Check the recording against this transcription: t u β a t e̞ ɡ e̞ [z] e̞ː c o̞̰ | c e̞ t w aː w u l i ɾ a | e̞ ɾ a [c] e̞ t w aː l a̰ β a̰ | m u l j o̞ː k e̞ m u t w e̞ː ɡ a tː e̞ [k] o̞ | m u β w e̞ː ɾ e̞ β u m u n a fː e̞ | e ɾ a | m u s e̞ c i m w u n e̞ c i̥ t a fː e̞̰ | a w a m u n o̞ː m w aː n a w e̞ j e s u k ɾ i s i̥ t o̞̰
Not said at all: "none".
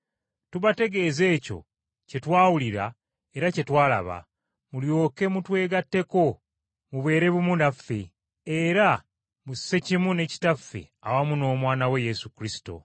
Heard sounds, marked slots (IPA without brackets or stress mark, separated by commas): z, c, k